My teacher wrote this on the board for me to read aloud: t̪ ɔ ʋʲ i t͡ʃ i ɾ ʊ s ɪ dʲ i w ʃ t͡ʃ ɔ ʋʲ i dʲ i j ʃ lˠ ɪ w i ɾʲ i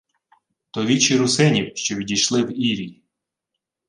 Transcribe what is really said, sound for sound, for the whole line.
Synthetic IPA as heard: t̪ ɔ ʋʲ i t͡ʃ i ɾ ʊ s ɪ nʲ i w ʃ t͡ʃ ɔ ʋʲ i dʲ i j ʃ lˠ ɪ w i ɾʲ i

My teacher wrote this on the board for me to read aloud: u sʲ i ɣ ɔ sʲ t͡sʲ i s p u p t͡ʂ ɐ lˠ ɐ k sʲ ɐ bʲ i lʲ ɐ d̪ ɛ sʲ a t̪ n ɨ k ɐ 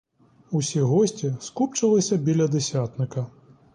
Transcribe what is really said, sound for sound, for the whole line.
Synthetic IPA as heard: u sʲ i ɣ ɔ sʲ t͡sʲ i s k u p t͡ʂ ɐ lˠ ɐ sʲ ɐ bʲ i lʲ ɐ d̪ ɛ sʲ a t̪ n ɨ k ɐ

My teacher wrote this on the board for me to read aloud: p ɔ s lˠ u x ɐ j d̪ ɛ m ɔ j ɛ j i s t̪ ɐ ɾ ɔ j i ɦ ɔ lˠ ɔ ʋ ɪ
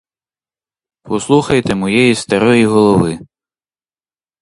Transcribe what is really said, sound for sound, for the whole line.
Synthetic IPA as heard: p ɔ s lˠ u x ɐ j t̪ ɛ m ɔ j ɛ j i s t̪ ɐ ɾ ɔ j i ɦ ɔ lˠ ɔ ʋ ɪ

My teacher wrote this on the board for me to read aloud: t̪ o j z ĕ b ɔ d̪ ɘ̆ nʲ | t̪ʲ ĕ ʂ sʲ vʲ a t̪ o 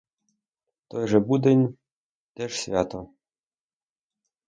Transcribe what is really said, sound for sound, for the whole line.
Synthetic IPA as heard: t̪ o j ʐ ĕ b u d̪ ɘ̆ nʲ | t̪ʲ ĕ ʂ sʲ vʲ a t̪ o

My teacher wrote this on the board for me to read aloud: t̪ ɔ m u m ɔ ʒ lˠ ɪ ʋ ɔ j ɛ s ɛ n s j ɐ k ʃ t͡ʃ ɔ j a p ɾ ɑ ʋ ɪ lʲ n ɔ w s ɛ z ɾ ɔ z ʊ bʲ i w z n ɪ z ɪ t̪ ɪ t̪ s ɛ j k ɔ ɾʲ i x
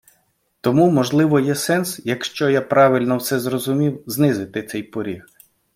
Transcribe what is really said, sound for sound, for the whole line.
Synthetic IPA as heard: t̪ ɔ m u m ɔ ʒ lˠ ɪ ʋ ɔ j ɛ s ɛ n s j ɐ k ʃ t͡ʃ ɔ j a p ɾ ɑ ʋ ɪ lʲ n ɔ w s ɛ z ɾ ɔ z ʊ mʲ i w z n ɪ z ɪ t̪ ɪ t̪ s ɛ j p ɔ ɾʲ i x

